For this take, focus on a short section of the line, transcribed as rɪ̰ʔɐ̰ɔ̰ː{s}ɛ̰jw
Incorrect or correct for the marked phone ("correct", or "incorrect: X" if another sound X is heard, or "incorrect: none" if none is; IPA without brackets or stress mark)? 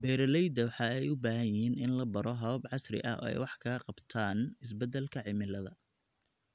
incorrect: none